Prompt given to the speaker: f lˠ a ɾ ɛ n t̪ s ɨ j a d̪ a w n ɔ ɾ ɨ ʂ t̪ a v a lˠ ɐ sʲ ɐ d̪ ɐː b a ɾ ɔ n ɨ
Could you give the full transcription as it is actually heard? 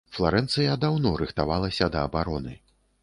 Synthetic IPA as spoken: f lˠ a ɾ ɛ n t̪ s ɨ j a d̪ a w n ɔ ɾ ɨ x t̪ a v a lˠ ɐ sʲ ɐ d̪ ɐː b a ɾ ɔ n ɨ